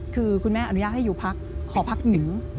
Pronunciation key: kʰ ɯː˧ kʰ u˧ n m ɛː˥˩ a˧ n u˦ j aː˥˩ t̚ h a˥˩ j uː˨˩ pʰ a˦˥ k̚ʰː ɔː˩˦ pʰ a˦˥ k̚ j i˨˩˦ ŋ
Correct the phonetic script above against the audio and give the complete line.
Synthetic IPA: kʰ ɯː˧ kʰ u˧ n m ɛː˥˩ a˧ n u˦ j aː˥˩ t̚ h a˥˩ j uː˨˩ pʰ a˦˥ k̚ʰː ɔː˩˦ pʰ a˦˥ k̚ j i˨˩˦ ŋ